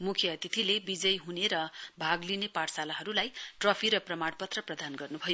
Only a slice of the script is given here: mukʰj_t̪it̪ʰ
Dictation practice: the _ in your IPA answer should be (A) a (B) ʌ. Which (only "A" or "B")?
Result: B